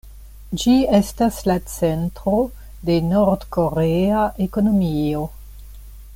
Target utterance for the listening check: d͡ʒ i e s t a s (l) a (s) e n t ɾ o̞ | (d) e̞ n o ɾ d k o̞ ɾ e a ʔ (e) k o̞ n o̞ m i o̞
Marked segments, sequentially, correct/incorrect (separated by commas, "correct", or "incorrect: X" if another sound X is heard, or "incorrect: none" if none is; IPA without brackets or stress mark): correct, incorrect: t͡s, correct, correct